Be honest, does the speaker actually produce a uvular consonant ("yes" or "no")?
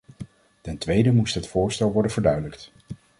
no